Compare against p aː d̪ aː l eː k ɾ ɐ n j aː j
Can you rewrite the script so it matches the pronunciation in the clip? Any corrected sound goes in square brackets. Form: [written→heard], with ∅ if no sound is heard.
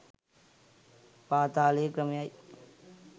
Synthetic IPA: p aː [d̪→t̪] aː l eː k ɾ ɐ [n→m] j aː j